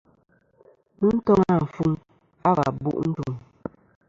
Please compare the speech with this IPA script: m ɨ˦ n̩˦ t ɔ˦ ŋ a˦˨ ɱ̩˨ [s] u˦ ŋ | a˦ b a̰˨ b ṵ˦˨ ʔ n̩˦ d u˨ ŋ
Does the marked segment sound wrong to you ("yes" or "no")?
yes